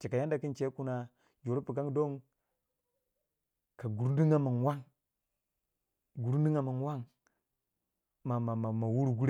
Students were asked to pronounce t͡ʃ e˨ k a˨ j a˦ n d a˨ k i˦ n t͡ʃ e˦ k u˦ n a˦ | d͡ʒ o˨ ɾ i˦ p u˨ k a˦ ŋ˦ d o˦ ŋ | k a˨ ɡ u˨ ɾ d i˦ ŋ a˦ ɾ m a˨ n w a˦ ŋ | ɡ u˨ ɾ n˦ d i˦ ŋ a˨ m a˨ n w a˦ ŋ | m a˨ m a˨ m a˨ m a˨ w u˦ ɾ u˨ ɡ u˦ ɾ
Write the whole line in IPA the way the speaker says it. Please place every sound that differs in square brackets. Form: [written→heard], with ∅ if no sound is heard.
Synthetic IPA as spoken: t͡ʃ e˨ k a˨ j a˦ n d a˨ k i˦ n t͡ʃ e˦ k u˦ n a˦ | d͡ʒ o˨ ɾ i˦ p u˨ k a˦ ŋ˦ d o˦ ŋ | k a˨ ɡ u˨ ɾ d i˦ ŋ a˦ [ɾ→∅] m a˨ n w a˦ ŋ | ɡ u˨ ɾ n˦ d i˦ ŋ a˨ m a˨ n w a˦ ŋ | m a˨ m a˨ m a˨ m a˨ w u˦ ɾ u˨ ɡ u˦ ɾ